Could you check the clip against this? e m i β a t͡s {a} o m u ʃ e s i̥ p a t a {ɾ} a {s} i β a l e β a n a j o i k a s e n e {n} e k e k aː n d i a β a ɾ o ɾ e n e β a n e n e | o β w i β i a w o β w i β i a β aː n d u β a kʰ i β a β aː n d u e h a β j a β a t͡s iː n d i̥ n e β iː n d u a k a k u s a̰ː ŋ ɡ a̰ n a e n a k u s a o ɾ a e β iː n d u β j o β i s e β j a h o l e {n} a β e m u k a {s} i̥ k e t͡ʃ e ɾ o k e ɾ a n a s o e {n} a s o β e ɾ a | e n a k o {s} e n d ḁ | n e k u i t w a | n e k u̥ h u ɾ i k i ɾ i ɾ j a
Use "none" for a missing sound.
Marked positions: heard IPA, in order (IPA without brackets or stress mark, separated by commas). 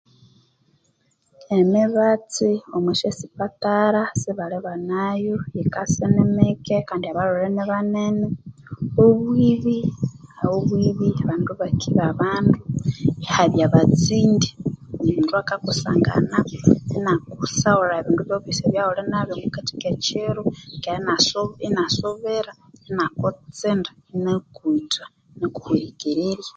i, ɾ, s, m, n, t, n, t͡s